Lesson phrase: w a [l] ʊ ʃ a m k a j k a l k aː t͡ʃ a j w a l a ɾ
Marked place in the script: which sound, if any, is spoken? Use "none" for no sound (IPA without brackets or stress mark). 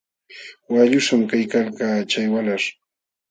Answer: ʎ